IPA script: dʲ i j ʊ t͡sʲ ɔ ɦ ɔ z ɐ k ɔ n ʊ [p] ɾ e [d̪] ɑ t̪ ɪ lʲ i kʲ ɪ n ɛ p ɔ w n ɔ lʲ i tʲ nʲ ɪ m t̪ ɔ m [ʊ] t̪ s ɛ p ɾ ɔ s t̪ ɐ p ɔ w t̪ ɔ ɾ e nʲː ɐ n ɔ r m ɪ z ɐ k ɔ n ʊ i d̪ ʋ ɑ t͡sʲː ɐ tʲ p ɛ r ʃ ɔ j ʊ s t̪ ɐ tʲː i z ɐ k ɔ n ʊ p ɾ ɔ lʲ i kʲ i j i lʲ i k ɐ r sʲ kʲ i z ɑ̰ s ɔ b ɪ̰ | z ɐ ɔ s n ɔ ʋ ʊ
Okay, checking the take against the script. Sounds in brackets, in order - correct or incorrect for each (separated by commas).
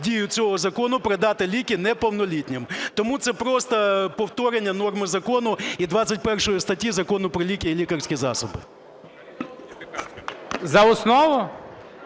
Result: correct, correct, incorrect